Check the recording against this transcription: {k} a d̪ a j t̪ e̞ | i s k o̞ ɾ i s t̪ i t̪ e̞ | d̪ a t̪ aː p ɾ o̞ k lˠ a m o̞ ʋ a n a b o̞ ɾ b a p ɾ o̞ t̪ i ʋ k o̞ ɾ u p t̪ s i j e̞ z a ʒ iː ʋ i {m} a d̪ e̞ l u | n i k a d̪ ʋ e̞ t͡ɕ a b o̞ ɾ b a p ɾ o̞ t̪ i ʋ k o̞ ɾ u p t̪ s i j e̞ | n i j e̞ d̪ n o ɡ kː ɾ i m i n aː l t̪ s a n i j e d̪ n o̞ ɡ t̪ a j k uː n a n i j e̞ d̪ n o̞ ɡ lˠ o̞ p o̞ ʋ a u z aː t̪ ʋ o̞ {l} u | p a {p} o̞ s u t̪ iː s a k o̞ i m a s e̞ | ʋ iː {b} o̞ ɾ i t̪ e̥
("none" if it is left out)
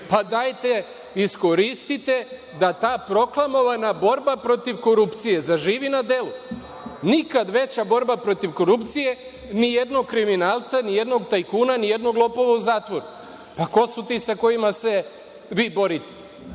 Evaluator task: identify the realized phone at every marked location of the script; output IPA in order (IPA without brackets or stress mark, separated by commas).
p, n, ɾ, k, b